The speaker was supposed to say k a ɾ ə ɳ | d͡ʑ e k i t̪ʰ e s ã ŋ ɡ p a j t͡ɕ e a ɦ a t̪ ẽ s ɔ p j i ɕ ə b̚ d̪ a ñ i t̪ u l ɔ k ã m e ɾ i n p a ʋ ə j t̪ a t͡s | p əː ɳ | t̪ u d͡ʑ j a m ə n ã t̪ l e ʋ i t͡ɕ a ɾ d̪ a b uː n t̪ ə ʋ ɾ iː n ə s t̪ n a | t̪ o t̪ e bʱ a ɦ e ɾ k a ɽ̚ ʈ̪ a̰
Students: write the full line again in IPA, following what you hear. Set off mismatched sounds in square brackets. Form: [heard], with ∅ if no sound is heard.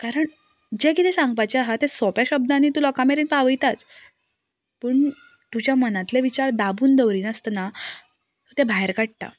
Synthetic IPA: k a ɾ ə ɳ | d͡ʑ e k i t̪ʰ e s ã ŋ ɡ p a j t͡ɕ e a ɦ a t̪ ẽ s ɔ p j [a] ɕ ə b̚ d̪ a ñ i t̪ u l ɔ k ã m e ɾ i n p a ʋ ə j t̪ a t͡s | p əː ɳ | t̪ u d͡ʑ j a m ə n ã t̪ l e ʋ i t͡ɕ a ɾ d̪ a b uː n [d̪] ə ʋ ɾ iː n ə s t̪ n a | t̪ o t̪ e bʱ a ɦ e ɾ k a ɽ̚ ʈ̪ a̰